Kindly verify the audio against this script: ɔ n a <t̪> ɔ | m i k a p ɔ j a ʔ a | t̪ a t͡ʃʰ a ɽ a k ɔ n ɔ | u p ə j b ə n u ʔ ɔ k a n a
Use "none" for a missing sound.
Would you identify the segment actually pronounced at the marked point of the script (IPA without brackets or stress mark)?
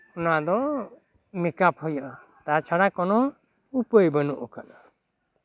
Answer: d̪